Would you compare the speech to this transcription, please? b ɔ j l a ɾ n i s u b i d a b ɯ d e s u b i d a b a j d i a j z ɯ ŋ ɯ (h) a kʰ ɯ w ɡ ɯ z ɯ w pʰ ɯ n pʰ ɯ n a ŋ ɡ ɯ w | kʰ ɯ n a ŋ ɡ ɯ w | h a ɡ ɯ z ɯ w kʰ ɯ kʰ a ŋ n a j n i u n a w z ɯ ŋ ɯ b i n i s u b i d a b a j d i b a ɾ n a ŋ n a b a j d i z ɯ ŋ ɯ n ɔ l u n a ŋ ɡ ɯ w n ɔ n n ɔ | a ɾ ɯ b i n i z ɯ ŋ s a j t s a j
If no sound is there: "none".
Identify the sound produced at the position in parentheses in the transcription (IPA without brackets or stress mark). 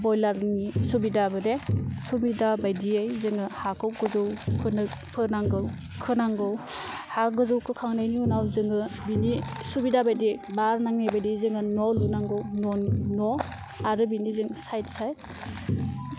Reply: h